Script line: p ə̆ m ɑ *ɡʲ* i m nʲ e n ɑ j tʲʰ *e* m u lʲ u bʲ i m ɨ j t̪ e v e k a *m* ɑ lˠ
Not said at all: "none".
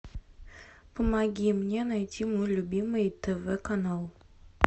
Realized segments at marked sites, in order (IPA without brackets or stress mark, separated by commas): ɡʲ, i, n